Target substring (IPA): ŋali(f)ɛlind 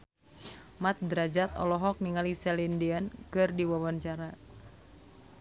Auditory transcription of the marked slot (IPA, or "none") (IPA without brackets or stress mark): s